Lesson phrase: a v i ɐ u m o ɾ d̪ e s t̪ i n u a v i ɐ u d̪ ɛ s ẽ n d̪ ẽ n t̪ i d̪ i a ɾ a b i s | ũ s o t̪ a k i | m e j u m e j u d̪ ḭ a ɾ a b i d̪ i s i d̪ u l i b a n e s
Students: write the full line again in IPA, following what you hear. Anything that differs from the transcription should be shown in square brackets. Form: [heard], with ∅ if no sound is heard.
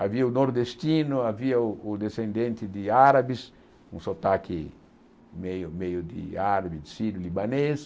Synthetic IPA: a v i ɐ u [n] o ɾ d̪ e s t̪ i n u a v i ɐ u d̪ [e] s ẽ n d̪ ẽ n t̪ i d̪ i a ɾ a b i s | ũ s o t̪ a k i | m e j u m e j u d̪ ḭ a ɾ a b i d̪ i s i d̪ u l i b a n e s